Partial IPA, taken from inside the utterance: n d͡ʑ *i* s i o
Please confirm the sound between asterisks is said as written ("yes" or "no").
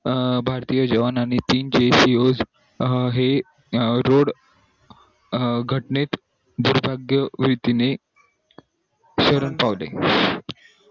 no